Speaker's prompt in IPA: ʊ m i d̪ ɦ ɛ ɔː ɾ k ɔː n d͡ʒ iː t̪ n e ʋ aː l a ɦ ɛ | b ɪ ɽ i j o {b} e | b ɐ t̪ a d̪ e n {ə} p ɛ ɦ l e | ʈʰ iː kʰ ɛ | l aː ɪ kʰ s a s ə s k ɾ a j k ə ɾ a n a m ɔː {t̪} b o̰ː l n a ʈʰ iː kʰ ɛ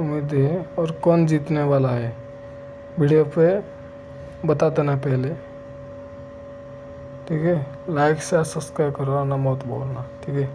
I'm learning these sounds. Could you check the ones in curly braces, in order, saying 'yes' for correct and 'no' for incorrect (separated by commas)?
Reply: no, no, yes